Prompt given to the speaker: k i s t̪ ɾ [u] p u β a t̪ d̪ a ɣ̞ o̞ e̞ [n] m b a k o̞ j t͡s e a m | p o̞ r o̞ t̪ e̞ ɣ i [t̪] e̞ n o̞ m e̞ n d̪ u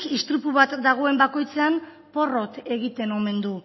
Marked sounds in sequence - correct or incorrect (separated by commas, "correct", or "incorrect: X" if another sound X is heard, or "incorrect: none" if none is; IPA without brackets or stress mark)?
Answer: correct, incorrect: none, correct